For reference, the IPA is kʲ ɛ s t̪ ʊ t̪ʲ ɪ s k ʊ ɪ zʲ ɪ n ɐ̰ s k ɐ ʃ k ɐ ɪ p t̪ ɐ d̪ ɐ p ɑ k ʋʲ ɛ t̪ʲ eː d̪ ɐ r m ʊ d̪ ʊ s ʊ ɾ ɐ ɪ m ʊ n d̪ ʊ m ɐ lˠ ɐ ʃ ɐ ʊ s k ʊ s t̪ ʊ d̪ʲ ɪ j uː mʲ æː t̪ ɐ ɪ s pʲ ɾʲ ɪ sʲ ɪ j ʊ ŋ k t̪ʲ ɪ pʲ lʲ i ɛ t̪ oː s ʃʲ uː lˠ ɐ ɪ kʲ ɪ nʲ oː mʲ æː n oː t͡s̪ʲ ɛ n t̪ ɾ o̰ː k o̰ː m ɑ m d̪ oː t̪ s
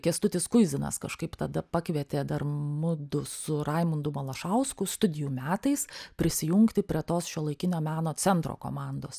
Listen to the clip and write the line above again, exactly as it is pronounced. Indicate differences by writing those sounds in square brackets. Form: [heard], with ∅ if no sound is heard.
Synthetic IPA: kʲ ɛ s t̪ ʊ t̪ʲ ɪ s k ʊ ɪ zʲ ɪ n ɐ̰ s k ɐ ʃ k ɐ ɪ p t̪ ɐ d̪ ɐ p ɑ k ʋʲ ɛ t̪ʲ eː d̪ ɐ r m ʊ d̪ ʊ s ʊ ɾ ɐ ɪ m ʊ n d̪ ʊ m ɐ lˠ ɐ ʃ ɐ ʊ s k ʊ s t̪ ʊ d̪ʲ ɪ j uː mʲ æː t̪ ɐ ɪ s pʲ ɾʲ ɪ sʲ ɪ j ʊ ŋ k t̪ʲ ɪ pʲ [ɾʲ] i ɛ t̪ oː s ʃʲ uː lˠ ɐ ɪ kʲ ɪ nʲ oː mʲ æː n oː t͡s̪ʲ ɛ n t̪ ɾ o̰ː k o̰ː m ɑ [n] d̪ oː [∅] s